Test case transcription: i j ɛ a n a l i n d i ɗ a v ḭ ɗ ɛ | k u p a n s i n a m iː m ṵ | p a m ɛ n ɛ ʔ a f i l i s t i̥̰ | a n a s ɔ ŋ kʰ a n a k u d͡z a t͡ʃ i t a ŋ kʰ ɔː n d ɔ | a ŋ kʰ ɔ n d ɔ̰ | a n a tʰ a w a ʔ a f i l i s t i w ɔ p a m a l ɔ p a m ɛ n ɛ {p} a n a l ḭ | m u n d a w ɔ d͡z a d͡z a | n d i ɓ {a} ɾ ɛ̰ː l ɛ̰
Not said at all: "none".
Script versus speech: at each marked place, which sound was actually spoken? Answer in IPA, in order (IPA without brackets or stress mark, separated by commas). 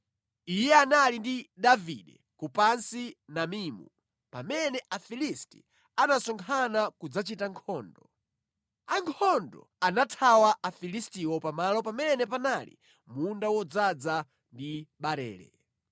p, a